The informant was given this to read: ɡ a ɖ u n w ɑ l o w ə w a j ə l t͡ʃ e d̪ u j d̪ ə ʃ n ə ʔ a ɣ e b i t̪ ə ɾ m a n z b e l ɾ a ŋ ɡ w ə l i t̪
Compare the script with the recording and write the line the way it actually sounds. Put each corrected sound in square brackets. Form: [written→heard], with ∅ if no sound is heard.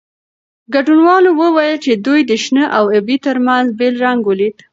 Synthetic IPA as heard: ɡ a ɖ u n w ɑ l o w ə w a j ə l t͡ʃ e d̪ u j d̪ ə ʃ n ə ʔ a [ɣ→w] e b i t̪ ə ɾ m a n z b e l ɾ a ŋ ɡ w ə l i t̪